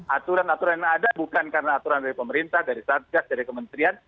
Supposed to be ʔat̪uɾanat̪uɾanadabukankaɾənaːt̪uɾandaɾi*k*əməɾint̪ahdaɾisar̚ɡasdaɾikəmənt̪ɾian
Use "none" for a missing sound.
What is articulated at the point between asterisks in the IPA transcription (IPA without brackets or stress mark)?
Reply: p